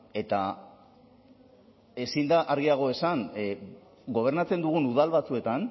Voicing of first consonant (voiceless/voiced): voiceless